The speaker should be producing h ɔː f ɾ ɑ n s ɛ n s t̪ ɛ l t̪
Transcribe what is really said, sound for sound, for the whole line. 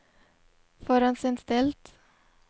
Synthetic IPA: f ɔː ɾ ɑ n s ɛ n s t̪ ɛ l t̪